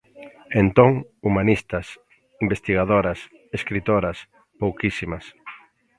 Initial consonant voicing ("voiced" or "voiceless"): voiced